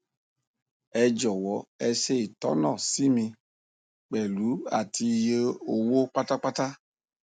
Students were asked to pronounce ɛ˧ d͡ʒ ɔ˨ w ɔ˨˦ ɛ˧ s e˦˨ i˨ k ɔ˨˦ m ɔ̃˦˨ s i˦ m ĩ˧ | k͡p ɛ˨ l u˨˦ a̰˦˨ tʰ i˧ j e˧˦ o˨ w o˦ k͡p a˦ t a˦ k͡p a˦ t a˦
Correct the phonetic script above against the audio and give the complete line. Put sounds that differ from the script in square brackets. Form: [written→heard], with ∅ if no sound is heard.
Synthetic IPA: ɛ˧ d͡ʒ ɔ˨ w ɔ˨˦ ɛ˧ s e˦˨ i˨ [k→t] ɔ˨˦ [m→n] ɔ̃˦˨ s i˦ m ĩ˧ | k͡p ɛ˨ l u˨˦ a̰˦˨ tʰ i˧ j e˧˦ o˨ w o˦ k͡p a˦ t a˦ k͡p a˦ t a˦